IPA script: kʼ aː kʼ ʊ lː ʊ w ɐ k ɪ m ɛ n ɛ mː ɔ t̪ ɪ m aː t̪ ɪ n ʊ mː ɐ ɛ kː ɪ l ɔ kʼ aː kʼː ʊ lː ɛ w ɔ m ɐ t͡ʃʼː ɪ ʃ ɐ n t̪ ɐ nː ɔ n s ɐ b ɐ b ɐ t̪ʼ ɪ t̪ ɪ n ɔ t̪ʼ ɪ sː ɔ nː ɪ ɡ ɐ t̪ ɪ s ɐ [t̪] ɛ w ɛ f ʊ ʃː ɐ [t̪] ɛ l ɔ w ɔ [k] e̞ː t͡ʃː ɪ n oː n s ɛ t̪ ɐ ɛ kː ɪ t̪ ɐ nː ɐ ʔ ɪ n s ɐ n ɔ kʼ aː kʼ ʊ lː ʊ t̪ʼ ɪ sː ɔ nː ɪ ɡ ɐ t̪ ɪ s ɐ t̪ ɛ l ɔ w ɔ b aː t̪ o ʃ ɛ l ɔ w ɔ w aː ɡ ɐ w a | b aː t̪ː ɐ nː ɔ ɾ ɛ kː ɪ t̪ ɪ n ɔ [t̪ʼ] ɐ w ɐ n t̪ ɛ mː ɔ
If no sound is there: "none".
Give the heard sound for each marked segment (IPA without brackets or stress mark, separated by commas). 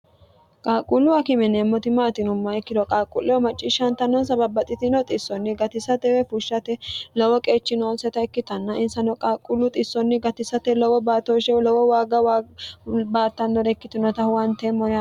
t̪, t̪, kʼ, t̪